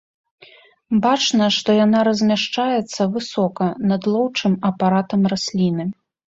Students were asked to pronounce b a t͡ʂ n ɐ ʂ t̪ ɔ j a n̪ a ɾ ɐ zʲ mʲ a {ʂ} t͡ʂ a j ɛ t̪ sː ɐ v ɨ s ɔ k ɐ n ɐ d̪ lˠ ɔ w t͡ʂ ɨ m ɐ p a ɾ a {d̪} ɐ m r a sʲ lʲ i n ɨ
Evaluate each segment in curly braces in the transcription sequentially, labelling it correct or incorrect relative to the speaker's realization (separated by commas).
correct, incorrect